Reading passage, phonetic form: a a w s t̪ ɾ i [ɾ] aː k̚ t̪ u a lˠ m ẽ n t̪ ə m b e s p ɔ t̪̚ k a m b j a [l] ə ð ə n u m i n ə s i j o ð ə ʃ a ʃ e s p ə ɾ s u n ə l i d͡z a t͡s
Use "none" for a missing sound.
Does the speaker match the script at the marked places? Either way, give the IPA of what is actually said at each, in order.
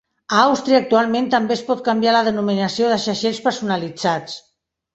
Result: none, l

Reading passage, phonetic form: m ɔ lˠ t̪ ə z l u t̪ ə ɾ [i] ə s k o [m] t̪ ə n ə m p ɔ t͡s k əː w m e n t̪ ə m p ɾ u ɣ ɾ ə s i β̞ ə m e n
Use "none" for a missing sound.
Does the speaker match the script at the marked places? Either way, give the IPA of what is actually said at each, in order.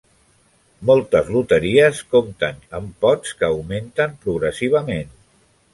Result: i, m

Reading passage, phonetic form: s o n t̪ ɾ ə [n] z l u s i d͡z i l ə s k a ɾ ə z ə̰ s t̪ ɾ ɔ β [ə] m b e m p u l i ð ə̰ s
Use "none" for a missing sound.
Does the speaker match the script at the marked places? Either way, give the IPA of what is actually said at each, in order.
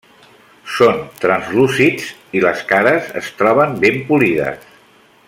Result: n, ə

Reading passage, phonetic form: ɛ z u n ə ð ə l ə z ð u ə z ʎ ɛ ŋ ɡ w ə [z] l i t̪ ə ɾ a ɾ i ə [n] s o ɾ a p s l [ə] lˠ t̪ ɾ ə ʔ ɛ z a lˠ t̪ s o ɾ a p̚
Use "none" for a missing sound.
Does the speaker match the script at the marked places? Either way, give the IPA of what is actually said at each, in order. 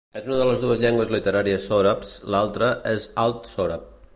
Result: z, none, a

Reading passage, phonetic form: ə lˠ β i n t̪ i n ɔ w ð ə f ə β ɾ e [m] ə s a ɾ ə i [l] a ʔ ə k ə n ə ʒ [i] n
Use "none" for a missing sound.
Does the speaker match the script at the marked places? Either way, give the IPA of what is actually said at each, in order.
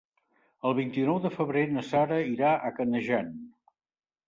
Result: n, ɾ, a

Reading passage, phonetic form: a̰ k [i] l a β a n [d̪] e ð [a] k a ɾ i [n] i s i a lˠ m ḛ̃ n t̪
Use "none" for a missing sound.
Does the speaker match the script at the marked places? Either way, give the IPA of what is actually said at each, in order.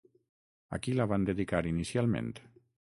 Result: i, d̪, i, n

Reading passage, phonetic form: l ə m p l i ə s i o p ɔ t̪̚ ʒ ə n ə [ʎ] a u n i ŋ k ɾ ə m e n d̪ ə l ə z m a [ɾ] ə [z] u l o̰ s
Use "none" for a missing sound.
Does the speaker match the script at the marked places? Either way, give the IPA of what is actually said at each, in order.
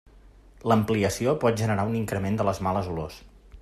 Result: ɾ, l, z

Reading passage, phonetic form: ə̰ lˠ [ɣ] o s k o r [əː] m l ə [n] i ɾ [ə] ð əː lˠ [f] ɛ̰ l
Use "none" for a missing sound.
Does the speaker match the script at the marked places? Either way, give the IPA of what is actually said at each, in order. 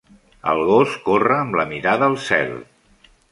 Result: ɣ, əː, m, a, s

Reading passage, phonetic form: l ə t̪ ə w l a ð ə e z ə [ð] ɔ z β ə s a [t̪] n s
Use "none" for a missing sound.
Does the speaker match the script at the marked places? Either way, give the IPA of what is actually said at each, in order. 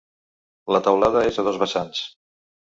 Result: ð, none

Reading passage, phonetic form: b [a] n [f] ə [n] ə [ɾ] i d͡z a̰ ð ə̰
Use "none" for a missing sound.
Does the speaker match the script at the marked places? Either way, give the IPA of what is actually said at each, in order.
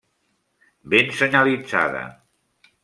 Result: e, s, ɲ, l

